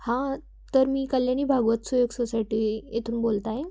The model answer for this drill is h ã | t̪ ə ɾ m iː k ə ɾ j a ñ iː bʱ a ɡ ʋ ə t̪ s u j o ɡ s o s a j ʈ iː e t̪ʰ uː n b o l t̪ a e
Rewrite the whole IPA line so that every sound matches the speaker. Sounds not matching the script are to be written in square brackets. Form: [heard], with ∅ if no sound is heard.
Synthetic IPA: h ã | t̪ ə ɾ m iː k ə [l] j a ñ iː bʱ a ɡ ʋ ə t̪ s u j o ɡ s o s a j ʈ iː e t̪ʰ uː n b o l t̪ a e